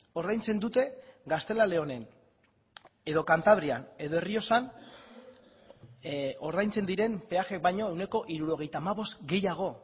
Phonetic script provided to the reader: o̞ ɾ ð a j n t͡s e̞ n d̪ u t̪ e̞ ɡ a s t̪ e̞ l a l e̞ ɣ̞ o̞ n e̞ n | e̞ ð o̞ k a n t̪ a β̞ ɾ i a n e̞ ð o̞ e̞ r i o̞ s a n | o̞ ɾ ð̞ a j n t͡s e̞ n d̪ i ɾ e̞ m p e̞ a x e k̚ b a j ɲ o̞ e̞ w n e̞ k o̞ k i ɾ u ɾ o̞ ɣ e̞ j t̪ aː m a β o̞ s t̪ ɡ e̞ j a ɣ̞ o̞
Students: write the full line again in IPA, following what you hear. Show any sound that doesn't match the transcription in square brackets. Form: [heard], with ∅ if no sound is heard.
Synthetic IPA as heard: o̞ ɾ ð a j n t͡s e̞ n d̪ u t̪ e̞ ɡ a s t̪ e̞ l a l e̞ [∅] o̞ n e̞ n | e̞ ð o̞ k a n t̪ a β̞ ɾ i a n e̞ ð o̞ e̞ r i o̞ s a n | o̞ ɾ ð̞ a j n t͡s e̞ n d̪ i ɾ e̞ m p e̞ a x e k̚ b a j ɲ o̞ e̞ w n e̞ k o̞ [ʔ] i ɾ u ɾ o̞ ɣ e̞ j t̪ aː m a β o̞ s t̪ ɡ e̞ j a ɣ̞ o̞